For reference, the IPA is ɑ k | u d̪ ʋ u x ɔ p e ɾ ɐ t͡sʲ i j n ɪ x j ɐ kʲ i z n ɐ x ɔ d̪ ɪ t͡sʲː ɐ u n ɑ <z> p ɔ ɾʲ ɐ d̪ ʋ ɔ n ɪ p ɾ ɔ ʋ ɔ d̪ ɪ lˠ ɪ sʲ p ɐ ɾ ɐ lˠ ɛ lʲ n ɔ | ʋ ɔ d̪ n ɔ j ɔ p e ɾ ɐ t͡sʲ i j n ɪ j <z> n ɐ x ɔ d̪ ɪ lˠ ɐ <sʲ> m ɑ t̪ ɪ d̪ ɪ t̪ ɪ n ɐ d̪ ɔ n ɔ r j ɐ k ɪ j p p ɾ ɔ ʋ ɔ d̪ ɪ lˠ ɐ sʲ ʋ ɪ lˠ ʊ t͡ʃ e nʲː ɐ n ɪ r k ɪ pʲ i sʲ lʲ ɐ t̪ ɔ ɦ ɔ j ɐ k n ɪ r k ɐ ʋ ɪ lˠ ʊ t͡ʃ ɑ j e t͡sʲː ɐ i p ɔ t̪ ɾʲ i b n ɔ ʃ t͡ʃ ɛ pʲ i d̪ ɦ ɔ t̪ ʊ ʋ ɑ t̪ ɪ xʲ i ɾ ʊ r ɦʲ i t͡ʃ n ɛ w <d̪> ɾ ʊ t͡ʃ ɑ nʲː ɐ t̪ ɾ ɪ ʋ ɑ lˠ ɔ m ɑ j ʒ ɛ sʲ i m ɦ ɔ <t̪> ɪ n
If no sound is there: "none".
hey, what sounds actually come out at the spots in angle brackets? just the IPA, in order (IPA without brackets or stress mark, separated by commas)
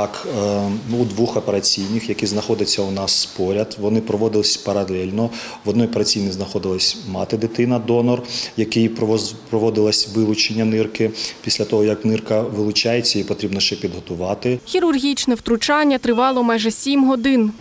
s, z, sʲ, t̪, d̪